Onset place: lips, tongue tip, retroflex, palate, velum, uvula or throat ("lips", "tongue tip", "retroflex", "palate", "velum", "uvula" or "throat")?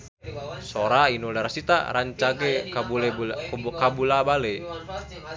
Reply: tongue tip